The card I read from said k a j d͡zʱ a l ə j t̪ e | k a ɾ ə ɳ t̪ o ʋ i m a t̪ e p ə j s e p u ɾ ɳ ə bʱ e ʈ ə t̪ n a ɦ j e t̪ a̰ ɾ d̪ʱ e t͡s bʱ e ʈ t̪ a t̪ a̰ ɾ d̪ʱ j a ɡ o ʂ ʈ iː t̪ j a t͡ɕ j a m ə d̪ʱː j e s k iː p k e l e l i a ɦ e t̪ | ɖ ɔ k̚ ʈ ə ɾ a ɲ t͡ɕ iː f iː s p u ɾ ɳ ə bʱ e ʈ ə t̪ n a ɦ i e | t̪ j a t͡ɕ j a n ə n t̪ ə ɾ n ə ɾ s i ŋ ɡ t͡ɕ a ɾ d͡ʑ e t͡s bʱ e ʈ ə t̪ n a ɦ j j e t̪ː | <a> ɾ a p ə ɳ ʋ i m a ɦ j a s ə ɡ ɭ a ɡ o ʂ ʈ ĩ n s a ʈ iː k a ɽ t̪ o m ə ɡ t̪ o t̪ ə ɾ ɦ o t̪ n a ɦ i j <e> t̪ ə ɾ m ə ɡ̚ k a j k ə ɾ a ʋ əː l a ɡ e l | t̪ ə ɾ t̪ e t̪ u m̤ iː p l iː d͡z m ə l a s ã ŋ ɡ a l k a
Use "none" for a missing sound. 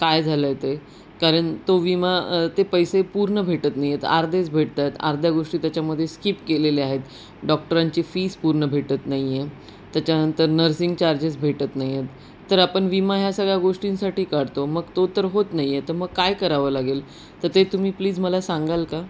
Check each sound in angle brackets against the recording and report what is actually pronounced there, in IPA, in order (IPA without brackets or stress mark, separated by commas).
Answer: ə, e